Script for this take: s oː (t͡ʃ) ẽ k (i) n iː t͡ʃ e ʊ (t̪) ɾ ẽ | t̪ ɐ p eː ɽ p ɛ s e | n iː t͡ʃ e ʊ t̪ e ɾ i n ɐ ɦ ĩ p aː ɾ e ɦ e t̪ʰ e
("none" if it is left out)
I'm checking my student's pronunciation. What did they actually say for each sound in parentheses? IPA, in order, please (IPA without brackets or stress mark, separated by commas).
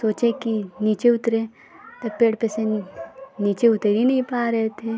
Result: t͡ʃ, i, t̪